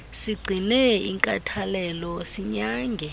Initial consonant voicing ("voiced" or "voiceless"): voiceless